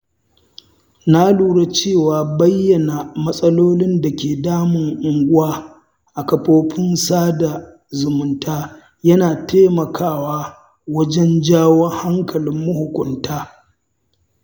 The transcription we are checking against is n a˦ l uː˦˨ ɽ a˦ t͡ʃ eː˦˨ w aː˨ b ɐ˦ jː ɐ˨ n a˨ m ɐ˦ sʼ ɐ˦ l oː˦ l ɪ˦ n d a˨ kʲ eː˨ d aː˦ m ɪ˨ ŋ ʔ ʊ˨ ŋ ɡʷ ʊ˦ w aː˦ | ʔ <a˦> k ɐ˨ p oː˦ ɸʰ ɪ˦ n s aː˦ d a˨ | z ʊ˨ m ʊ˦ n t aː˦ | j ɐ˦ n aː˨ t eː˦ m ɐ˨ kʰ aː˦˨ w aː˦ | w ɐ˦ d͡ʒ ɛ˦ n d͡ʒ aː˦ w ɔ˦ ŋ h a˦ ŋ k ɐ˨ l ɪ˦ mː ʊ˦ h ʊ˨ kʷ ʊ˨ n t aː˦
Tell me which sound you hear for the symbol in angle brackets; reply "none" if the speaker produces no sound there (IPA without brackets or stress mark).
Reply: a˨